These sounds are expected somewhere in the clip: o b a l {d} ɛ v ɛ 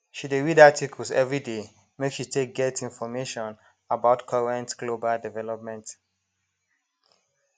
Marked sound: correct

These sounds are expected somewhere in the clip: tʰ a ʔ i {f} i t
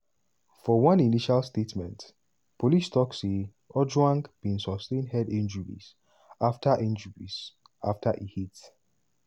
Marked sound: incorrect: h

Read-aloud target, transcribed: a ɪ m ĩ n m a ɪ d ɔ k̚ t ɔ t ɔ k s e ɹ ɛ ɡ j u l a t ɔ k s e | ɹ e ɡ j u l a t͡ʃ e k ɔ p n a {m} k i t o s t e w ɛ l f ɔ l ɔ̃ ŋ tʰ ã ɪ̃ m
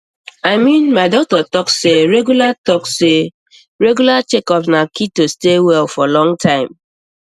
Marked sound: incorrect: none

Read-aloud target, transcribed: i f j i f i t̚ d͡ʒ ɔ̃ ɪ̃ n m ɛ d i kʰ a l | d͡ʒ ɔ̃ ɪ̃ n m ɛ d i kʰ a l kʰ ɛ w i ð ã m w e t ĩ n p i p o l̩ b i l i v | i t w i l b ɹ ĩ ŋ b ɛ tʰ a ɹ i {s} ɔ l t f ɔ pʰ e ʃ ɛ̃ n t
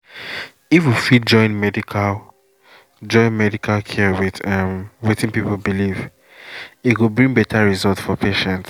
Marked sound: incorrect: z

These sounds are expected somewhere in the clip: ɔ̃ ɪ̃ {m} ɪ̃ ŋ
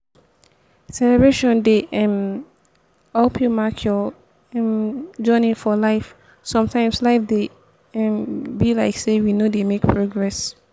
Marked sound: incorrect: n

